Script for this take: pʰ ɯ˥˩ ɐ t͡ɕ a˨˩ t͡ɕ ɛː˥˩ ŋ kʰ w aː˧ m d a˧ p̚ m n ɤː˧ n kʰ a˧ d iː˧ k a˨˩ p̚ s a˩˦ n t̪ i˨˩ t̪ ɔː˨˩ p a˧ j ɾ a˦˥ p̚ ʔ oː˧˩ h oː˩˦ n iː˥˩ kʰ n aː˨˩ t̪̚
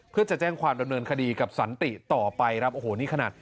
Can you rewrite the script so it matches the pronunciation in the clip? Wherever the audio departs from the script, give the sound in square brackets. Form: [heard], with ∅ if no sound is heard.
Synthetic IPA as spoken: pʰ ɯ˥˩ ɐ t͡ɕ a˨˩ t͡ɕ ɛː˥˩ ŋ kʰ w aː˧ m d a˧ [∅] m n ɤː˧ n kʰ a˧ d iː˧ k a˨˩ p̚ s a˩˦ n t̪ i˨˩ t̪ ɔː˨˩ p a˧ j ɾ a˦˥ p̚ ʔ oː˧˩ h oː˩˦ n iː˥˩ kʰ n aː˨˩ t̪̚